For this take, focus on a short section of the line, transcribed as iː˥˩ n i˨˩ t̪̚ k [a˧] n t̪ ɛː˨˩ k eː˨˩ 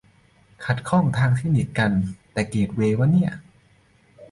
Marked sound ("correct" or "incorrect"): correct